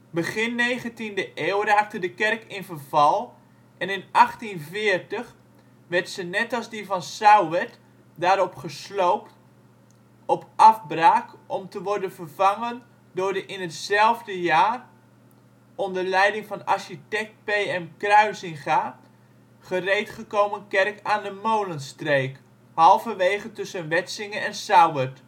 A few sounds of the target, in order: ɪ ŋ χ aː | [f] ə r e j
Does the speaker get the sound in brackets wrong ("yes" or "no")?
yes